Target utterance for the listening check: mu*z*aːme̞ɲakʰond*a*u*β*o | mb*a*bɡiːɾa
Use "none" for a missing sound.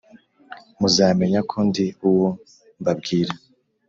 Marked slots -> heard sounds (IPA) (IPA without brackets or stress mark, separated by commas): z, i, w, a